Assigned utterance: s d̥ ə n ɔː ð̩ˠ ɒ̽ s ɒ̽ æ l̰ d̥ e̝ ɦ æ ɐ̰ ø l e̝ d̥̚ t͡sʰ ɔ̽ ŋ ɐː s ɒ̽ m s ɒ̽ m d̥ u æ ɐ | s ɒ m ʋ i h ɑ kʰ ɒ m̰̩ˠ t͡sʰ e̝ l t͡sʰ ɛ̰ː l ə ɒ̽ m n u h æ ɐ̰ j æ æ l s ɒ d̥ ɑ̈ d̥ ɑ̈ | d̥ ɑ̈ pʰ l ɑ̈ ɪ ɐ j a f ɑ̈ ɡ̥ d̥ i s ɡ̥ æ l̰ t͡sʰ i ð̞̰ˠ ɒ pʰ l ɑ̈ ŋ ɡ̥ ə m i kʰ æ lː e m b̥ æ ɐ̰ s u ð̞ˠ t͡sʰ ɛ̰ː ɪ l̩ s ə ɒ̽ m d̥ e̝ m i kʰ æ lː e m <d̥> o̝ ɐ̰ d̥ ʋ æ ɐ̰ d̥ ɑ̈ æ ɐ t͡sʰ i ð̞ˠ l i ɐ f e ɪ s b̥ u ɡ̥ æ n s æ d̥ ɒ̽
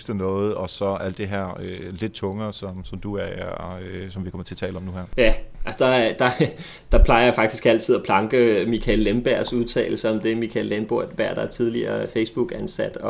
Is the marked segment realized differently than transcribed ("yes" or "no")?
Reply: yes